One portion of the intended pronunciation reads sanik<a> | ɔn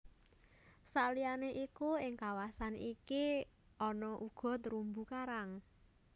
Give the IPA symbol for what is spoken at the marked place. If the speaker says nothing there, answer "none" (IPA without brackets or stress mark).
i